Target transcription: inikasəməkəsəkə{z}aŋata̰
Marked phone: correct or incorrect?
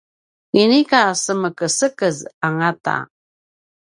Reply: correct